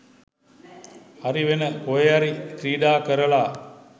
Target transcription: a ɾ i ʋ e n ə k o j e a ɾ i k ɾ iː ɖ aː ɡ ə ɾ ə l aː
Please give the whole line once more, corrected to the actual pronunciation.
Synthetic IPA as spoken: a ɾ i ʋ e n ə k o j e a ɾ i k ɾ iː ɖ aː k ə ɾ ə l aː